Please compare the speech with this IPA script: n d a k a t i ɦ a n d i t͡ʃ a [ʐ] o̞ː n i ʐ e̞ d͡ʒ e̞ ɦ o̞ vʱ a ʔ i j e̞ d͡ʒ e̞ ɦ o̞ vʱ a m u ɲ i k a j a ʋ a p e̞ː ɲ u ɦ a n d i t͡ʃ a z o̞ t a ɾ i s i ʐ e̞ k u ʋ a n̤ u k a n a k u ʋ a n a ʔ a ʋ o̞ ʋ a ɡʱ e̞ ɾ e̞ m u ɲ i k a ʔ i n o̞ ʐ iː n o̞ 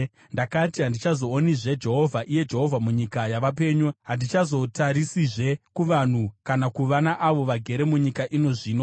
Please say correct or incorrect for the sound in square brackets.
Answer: incorrect